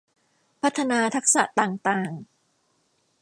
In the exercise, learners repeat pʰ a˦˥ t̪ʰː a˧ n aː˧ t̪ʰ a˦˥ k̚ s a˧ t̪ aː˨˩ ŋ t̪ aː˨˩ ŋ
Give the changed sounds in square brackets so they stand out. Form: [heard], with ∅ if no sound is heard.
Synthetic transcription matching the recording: pʰ a˦˥ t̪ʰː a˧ n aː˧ t̪ʰ a˦˥ k̚ s [a˨˩] t̪ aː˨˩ ŋ t̪ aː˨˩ ŋ